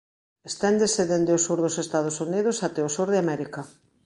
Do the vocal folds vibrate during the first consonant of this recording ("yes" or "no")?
no